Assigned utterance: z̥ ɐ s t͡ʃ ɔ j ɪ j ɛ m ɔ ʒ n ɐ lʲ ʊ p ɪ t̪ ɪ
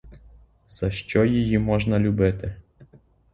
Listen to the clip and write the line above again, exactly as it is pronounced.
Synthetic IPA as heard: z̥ ɐ ʃ t͡ʃ ɔ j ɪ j i m ɔ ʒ n ɐ lʲ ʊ b ɪ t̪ ɪ